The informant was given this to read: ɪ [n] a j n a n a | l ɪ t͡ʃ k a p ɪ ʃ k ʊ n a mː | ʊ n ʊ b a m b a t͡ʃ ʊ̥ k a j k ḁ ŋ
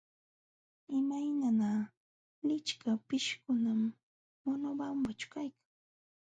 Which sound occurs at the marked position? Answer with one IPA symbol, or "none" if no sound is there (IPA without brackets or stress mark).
m